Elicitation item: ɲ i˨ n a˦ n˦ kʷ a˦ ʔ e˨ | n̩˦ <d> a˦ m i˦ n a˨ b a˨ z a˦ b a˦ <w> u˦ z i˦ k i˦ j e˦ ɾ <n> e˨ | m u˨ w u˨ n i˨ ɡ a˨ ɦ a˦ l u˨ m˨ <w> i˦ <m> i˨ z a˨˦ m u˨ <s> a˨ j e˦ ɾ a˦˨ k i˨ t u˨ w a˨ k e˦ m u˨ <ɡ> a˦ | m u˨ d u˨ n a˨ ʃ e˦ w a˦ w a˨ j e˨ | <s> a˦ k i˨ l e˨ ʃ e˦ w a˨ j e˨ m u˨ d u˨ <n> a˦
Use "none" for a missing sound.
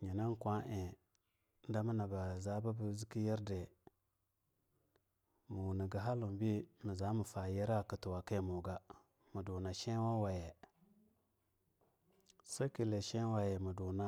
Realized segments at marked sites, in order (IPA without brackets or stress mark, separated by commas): d, b, d, b, m, f, ɡ, s, n